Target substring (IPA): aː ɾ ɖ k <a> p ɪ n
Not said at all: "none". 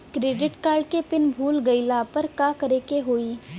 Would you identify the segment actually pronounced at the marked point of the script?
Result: e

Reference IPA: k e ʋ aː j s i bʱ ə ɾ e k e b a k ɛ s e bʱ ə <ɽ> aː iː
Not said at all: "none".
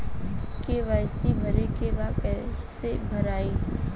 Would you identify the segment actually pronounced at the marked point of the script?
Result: ɾ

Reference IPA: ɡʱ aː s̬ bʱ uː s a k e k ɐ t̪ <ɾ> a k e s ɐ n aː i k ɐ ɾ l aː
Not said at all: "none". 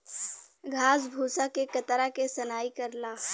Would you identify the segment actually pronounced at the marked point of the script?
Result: ɾ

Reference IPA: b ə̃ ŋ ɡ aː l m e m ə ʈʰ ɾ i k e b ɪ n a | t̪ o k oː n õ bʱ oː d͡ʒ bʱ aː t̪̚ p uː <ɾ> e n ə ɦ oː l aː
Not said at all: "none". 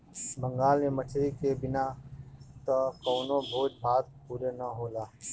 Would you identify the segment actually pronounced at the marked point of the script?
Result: ɾ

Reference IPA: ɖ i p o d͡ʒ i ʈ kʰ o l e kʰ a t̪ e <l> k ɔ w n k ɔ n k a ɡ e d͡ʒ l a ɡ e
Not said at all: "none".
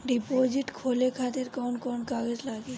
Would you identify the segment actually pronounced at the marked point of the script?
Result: ɾ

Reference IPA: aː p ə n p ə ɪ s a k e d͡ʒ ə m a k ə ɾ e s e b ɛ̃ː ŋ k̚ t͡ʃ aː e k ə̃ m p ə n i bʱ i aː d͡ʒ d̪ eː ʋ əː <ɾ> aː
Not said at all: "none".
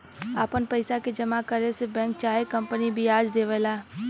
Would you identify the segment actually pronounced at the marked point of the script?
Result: l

